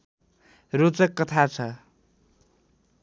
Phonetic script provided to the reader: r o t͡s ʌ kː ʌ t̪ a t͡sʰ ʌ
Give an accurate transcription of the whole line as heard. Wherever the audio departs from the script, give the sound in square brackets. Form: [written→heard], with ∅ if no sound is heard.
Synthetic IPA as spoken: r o t͡s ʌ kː ʌ [t̪→t̪ʰ] a t͡sʰ ʌ